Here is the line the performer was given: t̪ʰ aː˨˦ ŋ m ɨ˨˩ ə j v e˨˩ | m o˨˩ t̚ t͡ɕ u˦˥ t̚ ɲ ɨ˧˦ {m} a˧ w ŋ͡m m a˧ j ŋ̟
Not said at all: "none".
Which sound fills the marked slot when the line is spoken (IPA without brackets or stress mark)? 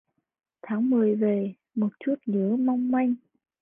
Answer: m